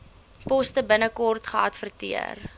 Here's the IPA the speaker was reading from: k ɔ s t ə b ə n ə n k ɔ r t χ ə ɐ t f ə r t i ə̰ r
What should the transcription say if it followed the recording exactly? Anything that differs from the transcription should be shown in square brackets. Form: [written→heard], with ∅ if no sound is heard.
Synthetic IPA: [k→p] ɔ s t ə b ə n ə [n→∅] k ɔ r t χ ə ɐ t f ə r t i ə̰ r